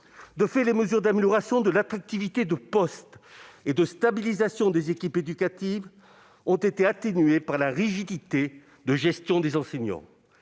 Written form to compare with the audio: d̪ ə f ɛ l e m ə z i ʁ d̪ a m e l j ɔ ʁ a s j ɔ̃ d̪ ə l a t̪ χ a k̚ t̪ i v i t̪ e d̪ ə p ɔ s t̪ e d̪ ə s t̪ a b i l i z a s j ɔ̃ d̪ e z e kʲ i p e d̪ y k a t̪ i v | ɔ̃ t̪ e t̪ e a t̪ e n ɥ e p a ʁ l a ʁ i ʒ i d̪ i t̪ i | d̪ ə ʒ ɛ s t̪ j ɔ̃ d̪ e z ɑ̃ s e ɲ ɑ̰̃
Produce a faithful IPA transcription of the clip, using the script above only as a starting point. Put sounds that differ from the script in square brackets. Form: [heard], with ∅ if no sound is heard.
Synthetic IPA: d̪ ə f ɛ l e m ə z [y] ʁ d̪ a m e l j ɔ ʁ a s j ɔ̃ d̪ ə l a t̪ χ a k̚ t̪ i v i t̪ e d̪ ə p ɔ s t̪ e d̪ ə s t̪ a b i l i z a s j ɔ̃ d̪ e z e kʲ i p e d̪ y k a t̪ i v | ɔ̃ t̪ e t̪ e a t̪ e n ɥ e p a ʁ l a ʁ i ʒ i d̪ i t̪ [e] | d̪ ə ʒ ɛ s t̪ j ɔ̃ d̪ e z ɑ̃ s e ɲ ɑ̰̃